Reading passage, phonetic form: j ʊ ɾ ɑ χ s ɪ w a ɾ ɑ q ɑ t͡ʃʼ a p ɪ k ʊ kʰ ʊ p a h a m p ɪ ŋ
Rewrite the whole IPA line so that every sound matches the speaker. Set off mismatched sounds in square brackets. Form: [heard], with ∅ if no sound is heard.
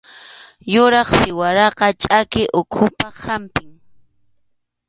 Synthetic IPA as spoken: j ʊ ɾ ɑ χ s ɪ w a ɾ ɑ q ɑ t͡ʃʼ a [k] ɪ [ʔ] ʊ kʰ ʊ p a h a m p ɪ ŋ